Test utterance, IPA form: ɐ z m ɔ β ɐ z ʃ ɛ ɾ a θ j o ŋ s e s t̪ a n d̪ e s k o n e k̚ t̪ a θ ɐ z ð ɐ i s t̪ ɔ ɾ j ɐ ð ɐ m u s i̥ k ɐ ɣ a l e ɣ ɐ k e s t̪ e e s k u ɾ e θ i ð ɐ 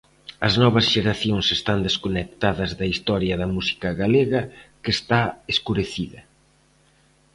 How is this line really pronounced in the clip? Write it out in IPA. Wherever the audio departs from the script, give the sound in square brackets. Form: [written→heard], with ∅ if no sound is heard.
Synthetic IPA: ɐ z [m→n] ɔ β ɐ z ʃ [ɛ→e] ɾ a θ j o ŋ s e s t̪ a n d̪ e s k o n e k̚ t̪ a [θ→ð] ɐ z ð ɐ i s t̪ ɔ ɾ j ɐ ð ɐ m u s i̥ k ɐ ɣ a l e ɣ ɐ k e s t̪ [e→a] e s k u ɾ e θ i ð ɐ